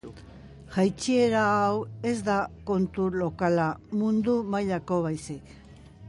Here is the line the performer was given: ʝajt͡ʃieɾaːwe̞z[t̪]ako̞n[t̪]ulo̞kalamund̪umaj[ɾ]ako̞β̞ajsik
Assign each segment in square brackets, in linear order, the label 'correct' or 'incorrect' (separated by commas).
incorrect, correct, incorrect